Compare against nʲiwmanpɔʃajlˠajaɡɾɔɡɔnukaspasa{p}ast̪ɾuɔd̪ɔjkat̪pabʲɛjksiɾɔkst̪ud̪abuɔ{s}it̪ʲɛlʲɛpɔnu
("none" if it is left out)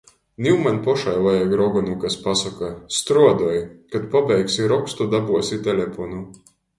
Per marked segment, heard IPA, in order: k, s

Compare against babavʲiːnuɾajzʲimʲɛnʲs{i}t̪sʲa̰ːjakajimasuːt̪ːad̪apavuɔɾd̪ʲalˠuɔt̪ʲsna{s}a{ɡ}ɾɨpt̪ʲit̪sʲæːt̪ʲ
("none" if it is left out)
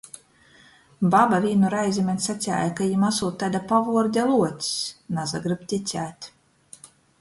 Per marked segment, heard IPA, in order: a, z, ɡ

